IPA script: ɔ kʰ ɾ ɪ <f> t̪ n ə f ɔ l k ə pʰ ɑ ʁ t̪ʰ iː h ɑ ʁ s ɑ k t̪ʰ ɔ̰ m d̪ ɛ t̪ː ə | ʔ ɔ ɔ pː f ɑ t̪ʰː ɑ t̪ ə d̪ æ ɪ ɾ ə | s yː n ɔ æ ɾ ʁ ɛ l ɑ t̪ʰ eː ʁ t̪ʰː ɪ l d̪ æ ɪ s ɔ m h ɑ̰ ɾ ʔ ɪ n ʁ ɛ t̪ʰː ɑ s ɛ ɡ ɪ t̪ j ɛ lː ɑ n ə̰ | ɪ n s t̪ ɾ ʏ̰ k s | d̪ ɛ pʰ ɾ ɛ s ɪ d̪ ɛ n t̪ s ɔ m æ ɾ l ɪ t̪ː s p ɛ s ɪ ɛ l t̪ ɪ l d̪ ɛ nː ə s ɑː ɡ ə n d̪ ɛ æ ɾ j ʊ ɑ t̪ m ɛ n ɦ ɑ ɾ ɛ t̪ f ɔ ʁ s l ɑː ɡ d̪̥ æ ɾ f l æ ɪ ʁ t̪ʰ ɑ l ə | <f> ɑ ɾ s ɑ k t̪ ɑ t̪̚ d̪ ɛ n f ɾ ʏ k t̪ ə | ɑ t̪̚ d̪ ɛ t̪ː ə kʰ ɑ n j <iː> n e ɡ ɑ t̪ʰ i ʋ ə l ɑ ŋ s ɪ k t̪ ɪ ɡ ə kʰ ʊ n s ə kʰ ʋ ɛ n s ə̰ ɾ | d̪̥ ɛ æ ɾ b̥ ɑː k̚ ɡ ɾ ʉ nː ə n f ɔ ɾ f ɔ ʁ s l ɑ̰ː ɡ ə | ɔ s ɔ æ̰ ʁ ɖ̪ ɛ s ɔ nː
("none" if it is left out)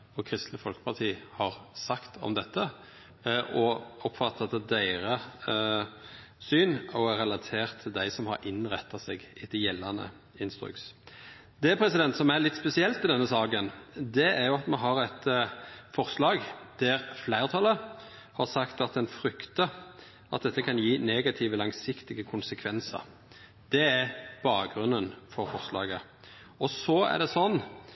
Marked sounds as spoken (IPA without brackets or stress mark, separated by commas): s, h, iː